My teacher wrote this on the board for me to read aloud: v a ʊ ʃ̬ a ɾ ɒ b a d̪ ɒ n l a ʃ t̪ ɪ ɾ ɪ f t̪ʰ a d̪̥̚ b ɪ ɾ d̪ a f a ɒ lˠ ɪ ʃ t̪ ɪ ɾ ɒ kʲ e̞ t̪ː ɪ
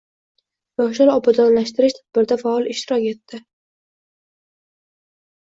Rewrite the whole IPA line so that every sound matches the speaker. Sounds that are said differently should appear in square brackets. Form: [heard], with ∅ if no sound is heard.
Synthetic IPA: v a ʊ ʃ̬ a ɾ ɒ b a d̪ ɒ n l a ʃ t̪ ɪ ɾ ɪ [ʃ] t̪ʰ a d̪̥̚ b ɪ ɾ d̪ a f a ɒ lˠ ɪ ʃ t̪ ɪ ɾ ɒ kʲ e̞ t̪ː ɪ